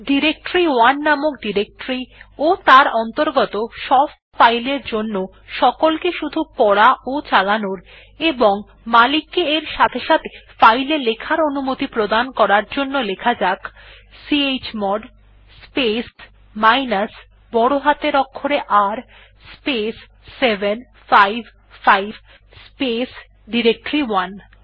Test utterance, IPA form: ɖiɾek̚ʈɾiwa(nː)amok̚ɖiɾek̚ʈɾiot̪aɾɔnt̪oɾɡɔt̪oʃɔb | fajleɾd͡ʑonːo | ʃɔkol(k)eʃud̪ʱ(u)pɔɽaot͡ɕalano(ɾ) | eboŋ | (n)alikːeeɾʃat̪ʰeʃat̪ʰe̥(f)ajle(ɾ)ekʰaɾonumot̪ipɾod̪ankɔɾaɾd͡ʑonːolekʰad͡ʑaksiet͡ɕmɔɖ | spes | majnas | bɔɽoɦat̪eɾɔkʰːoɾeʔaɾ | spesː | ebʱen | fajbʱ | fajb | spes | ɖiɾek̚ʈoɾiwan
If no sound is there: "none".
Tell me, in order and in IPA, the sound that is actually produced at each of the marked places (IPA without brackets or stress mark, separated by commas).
nː, k, u, ɾ, m, f, l